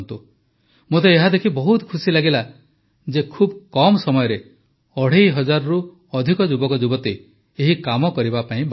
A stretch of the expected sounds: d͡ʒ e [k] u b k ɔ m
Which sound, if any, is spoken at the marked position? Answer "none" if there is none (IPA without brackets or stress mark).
kʰ